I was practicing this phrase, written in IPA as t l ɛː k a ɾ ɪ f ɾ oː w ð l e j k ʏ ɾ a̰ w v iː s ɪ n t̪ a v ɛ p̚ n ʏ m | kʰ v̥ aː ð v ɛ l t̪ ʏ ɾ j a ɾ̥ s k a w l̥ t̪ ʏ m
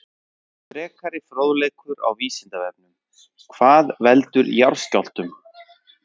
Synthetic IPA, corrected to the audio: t ɾ ɛː k a ɾ ɪ f ɾ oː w ð l e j k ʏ ɾ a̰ w v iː s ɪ n t̪ a v ɛ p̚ n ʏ m | kʰ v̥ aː ð v ɛ l t̪ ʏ ɾ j a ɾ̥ s c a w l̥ t̪ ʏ m